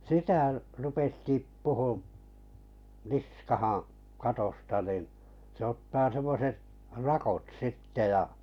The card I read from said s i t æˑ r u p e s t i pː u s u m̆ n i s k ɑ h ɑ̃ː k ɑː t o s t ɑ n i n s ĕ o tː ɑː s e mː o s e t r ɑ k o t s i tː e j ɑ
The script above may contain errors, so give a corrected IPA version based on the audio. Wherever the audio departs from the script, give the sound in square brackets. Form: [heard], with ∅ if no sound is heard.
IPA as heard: s i t æˑ r u p e s t i pː u [h] u m̆ n i s k ɑ h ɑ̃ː k [ɑ] t o s t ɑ n i n s ĕ o tː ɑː s e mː o s e t r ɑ k o t s i tː e j ɑ